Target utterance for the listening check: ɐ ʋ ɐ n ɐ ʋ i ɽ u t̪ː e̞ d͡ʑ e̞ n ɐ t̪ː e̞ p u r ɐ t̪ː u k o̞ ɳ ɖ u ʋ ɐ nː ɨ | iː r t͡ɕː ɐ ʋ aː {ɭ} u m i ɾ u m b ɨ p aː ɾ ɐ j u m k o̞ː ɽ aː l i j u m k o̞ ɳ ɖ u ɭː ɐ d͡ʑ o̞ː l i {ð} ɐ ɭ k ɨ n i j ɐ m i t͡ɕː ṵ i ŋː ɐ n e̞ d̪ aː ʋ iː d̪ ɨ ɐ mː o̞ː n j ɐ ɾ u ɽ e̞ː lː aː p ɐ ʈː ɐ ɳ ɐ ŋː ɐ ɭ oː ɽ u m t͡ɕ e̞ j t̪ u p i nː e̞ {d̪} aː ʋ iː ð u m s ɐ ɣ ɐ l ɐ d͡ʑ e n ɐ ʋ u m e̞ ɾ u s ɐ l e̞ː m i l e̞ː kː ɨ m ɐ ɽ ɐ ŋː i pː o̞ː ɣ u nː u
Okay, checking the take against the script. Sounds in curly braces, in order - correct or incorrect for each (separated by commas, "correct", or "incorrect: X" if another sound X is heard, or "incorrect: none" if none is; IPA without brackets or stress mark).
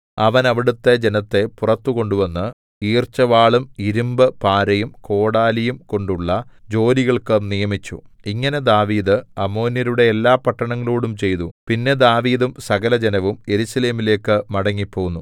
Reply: correct, incorrect: ɣ, correct